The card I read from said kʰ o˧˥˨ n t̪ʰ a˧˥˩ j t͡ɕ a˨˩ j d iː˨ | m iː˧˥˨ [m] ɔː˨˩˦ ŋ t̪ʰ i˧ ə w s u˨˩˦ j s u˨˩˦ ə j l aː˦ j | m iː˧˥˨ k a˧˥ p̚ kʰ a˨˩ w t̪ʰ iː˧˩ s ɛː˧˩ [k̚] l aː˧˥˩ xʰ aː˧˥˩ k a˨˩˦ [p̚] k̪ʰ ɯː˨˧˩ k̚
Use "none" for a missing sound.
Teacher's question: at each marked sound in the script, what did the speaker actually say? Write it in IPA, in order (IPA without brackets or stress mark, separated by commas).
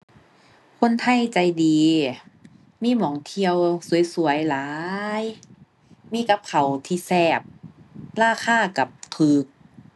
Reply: m, p̚, p̚